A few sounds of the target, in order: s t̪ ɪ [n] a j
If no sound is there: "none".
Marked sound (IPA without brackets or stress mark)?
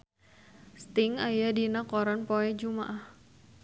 ŋ